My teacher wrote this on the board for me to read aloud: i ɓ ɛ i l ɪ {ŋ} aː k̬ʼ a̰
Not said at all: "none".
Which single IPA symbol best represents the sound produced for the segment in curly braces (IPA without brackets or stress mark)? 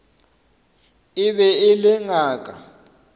ŋ